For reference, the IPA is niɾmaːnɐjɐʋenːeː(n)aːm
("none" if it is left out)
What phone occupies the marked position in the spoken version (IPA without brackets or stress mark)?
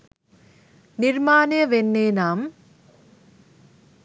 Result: n